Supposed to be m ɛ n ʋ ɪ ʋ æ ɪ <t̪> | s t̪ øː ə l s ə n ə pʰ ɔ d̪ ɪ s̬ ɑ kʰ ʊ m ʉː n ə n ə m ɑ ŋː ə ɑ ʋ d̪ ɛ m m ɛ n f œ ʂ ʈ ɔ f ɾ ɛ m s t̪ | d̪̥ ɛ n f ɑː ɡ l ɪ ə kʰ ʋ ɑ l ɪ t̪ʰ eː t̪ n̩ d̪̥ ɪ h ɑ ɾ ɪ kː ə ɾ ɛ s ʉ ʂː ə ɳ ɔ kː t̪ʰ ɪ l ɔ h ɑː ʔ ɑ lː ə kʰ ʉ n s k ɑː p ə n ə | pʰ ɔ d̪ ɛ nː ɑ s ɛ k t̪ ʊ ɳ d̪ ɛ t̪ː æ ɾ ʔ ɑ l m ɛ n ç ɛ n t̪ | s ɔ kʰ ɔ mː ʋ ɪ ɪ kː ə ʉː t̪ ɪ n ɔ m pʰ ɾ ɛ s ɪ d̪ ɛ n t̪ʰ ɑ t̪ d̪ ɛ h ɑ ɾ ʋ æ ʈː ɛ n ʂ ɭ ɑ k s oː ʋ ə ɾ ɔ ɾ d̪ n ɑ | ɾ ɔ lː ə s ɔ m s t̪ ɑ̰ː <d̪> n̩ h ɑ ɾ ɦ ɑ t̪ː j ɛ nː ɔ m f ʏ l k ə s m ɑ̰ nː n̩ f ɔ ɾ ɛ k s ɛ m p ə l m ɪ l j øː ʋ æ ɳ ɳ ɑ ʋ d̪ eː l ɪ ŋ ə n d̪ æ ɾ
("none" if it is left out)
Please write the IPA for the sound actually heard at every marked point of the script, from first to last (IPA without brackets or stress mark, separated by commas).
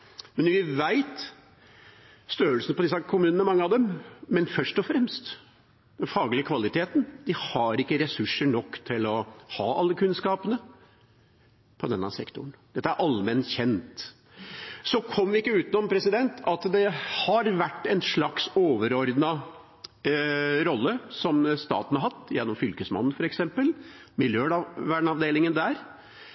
t̪, t̪